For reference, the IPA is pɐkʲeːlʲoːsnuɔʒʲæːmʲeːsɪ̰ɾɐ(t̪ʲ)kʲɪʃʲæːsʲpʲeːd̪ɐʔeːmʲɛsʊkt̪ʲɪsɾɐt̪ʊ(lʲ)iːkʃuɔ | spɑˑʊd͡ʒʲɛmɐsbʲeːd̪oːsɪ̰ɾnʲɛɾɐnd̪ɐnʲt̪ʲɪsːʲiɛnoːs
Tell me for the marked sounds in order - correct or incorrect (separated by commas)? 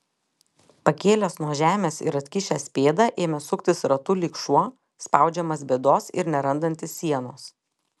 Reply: correct, correct